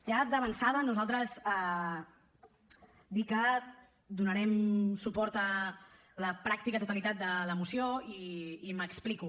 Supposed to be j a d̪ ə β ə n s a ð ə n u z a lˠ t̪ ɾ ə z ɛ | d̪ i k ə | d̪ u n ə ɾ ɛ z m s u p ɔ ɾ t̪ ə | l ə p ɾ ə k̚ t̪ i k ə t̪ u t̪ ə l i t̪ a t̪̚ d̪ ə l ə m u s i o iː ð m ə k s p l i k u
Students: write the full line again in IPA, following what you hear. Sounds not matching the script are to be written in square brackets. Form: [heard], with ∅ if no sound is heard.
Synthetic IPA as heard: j a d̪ ə β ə n s a ð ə n u z a lˠ t̪ ɾ ə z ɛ | d̪ i k ə | d̪ u n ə ɾ ɛ [∅] m s u p ɔ ɾ t̪ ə | l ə p ɾ [a] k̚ t̪ i k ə t̪ u t̪ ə l i t̪ a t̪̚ d̪ ə l ə m u s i o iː [∅] m ə k s p l i k u